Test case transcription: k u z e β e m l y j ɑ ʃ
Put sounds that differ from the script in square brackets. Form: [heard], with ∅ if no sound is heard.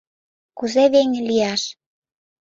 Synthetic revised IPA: k u z e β e [ŋ] l [i] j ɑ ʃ